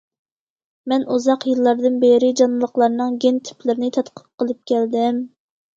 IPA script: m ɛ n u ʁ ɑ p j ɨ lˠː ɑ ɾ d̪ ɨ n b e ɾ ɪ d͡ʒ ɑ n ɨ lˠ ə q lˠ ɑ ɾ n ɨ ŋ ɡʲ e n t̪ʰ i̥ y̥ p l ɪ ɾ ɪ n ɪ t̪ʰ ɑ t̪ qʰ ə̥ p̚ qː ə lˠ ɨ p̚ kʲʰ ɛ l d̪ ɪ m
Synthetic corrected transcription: m ɛ n u z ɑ q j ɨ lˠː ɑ ɾ d̪ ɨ n b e ɾ ɪ d͡ʒ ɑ n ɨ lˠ ə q lˠ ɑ ɾ n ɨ ŋ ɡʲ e n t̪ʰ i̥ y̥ p l ɪ ɾ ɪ n ɪ t̪ʰ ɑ t̪ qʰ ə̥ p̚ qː ə lˠ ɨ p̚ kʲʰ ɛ l d̪ ɪ m